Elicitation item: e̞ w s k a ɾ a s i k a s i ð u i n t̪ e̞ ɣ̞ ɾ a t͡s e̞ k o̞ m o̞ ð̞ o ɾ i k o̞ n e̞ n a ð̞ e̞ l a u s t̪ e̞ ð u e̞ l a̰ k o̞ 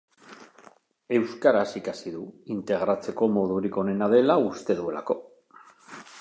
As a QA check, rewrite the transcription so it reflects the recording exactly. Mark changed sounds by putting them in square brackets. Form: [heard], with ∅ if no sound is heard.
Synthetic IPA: e̞ w s k a ɾ a s i k a s i ð u i n t̪ e̞ ɣ̞ ɾ a t͡s e̞ k o̞ m o̞ ð̞ [u] ɾ i k o̞ n e̞ n a ð̞ e̞ l a u s t̪ e̞ ð u e̞ l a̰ k o̞

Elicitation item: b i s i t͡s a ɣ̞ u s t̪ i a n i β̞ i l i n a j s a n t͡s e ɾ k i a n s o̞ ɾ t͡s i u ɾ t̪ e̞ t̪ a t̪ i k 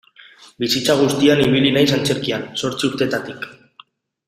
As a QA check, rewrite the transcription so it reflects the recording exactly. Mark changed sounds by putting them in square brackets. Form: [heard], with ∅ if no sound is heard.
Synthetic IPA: b i s i t͡s a ɣ̞ u s t̪ i a n i β̞ i l i n a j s a n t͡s e ɾ k i a n s o̞ ɾ t͡s i u ɾ t̪ e̞ t̪ a t̪ i k

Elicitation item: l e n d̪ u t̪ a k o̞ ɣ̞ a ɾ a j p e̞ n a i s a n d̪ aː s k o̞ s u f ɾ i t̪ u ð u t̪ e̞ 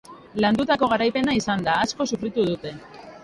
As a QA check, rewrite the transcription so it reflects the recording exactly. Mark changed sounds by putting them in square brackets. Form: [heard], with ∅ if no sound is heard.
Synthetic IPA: l [a] n d̪ u t̪ a k o̞ ɣ̞ a ɾ a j p e̞ n a i s a n d̪ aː s k o̞ s u f ɾ i t̪ u ð u t̪ e̞

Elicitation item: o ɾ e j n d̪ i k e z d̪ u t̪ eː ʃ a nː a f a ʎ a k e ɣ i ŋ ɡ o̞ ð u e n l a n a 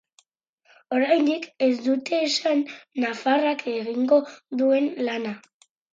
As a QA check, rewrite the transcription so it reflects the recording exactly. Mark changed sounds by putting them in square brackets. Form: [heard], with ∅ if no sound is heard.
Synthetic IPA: o ɾ [a] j n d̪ i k e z d̪ u t̪ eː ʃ a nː a f a [r] a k e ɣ i ŋ ɡ o̞ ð u e n l a n a

